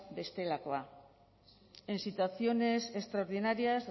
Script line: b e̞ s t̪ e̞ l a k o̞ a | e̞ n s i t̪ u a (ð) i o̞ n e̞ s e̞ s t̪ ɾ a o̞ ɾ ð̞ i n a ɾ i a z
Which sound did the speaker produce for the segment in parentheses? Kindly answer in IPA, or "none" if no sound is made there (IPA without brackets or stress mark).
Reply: θ